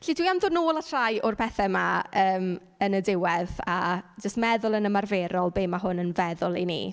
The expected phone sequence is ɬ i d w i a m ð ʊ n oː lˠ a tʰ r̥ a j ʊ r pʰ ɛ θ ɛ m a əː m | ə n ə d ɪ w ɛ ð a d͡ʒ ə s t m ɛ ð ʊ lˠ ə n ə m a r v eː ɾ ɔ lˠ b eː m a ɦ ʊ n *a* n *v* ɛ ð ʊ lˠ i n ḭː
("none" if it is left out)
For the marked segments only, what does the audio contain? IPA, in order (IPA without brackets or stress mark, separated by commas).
ə, v